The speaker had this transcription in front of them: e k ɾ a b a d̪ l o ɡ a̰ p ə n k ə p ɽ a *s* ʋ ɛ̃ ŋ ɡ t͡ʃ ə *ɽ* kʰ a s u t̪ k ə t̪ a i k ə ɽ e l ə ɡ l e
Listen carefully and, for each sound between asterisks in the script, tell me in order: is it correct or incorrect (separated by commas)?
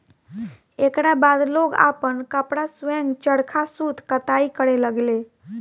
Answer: correct, correct